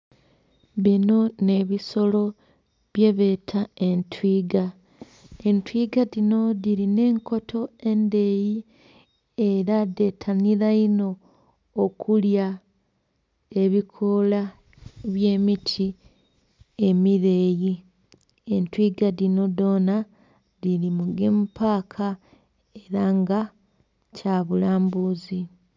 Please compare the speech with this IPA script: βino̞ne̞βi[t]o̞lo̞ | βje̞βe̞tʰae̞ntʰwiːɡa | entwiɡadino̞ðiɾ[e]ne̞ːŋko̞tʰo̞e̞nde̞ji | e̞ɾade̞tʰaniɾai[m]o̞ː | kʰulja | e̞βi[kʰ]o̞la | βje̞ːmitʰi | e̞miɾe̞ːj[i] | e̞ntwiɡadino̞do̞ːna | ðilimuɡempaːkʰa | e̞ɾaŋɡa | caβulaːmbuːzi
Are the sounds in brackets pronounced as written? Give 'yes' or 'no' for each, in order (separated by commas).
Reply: no, no, no, yes, yes